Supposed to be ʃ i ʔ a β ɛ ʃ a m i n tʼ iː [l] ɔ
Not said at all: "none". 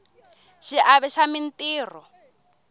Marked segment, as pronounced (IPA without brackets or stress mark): r